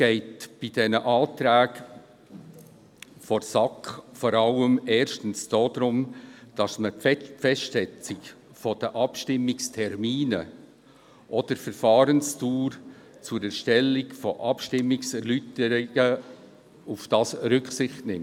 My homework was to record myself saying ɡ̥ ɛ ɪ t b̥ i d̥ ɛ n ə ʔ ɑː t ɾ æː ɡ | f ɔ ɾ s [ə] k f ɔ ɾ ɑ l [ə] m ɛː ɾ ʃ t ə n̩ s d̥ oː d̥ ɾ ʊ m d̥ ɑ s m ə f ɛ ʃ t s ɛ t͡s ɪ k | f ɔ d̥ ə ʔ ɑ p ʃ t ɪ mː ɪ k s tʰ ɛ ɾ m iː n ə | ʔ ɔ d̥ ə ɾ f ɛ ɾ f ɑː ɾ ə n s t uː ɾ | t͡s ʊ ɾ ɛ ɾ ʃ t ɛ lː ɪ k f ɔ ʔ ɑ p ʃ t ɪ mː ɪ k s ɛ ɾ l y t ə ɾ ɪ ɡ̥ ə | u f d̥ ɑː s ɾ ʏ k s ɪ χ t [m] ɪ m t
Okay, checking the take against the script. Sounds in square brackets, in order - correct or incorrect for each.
incorrect, correct, incorrect

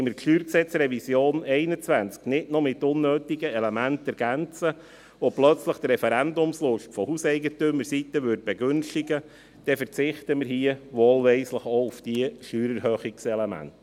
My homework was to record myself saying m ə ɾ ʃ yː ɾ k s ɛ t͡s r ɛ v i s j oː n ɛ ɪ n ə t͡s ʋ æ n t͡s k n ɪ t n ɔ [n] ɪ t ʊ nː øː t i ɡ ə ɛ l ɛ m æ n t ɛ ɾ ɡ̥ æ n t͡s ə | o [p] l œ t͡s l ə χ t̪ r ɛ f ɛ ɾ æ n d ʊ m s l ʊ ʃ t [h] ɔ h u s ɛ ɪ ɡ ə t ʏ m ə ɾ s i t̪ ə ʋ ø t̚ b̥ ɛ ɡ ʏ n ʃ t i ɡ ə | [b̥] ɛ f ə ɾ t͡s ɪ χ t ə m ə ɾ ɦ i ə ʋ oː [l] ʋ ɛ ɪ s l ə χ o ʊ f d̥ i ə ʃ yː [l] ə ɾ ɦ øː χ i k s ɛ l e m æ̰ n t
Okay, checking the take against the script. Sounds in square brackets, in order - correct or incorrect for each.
incorrect, correct, incorrect, incorrect, correct, incorrect

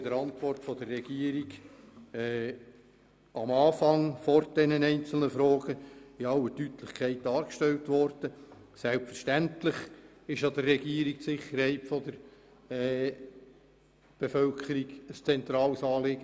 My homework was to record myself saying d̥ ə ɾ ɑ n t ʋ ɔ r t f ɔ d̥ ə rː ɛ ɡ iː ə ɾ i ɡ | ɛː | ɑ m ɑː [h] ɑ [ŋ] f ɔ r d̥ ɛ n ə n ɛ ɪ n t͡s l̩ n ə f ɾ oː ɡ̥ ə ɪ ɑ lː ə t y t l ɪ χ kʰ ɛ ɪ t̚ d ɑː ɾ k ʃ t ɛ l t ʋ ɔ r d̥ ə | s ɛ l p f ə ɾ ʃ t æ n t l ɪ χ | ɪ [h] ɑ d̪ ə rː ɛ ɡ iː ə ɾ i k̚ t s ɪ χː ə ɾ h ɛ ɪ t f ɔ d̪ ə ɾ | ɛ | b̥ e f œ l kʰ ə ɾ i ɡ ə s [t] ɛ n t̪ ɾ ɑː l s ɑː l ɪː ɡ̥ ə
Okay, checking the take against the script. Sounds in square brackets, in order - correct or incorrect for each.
incorrect, correct, incorrect, incorrect

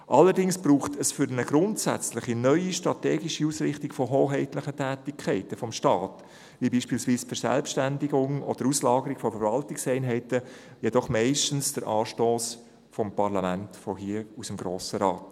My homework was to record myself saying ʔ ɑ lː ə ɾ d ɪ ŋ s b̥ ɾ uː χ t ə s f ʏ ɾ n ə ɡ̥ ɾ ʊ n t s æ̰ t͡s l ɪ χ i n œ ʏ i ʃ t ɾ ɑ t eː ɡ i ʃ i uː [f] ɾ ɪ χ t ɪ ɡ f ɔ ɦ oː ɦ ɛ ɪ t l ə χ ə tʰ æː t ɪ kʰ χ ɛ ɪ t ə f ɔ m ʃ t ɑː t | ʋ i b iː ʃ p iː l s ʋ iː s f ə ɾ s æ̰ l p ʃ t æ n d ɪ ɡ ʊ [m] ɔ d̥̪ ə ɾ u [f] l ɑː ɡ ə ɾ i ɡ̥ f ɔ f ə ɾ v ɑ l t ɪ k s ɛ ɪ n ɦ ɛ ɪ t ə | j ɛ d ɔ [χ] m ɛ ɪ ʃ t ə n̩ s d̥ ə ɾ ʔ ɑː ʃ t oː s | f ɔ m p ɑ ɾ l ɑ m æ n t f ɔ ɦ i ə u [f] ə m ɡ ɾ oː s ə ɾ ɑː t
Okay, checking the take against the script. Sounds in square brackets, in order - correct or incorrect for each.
incorrect, incorrect, incorrect, correct, incorrect

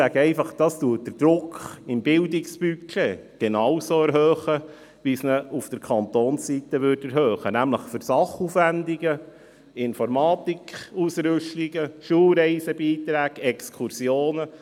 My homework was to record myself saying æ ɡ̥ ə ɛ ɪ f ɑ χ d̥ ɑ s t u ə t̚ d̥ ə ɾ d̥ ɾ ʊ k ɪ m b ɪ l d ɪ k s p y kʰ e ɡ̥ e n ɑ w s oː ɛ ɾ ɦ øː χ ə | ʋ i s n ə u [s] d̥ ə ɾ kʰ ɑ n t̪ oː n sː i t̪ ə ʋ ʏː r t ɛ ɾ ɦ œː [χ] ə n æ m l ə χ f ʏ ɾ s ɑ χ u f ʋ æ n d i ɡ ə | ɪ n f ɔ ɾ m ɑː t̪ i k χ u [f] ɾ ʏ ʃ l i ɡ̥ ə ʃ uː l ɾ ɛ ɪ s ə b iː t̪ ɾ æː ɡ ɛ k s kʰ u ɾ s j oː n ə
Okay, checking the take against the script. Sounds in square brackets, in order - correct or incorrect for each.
incorrect, correct, incorrect

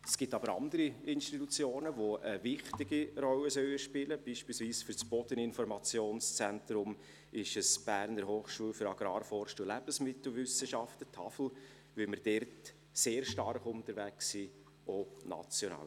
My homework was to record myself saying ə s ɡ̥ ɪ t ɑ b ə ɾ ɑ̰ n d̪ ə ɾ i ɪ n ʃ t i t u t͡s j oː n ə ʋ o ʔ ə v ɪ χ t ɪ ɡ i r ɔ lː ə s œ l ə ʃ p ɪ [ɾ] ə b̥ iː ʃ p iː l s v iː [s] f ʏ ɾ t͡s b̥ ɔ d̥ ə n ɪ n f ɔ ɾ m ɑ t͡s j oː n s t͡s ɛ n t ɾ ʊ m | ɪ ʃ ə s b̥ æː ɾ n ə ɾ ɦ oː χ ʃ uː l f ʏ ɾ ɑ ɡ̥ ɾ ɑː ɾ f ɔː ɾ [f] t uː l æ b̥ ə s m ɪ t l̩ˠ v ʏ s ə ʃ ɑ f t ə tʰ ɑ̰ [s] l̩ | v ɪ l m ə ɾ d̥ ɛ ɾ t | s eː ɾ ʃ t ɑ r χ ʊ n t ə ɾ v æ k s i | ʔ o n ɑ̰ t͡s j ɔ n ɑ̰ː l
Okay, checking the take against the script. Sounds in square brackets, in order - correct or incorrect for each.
incorrect, correct, incorrect, incorrect

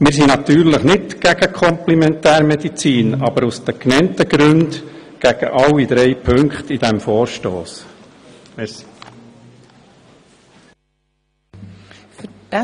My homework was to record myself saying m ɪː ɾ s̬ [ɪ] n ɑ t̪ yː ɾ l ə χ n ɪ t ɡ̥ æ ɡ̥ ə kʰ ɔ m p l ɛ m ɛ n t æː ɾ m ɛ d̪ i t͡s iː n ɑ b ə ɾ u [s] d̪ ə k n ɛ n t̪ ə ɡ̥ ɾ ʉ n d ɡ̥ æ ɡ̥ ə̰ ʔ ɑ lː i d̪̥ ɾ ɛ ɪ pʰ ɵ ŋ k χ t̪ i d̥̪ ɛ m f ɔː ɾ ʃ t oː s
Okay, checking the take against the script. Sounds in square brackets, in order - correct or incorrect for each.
incorrect, correct

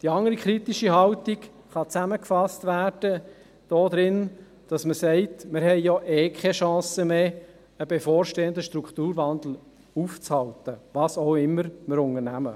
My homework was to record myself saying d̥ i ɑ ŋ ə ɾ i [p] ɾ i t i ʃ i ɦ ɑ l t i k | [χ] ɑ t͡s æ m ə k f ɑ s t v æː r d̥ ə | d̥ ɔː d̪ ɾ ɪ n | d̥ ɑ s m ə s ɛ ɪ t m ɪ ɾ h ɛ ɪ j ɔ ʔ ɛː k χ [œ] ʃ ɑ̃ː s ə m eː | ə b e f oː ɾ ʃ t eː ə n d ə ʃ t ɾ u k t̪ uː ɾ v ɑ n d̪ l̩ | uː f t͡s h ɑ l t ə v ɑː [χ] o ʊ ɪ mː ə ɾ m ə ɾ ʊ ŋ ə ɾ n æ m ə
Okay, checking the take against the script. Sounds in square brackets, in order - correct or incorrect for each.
incorrect, correct, incorrect, incorrect

